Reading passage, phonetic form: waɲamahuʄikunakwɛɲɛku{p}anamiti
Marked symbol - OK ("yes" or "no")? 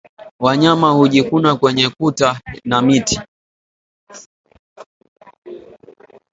no